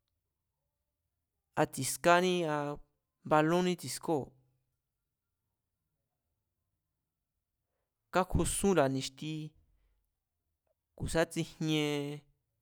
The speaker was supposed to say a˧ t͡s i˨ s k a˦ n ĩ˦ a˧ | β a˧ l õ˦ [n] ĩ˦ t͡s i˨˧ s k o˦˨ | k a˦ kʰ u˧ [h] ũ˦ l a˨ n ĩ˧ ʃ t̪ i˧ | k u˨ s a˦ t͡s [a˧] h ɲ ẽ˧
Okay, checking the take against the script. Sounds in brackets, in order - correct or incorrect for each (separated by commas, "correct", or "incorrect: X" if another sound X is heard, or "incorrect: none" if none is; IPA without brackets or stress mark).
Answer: correct, incorrect: s, incorrect: i˧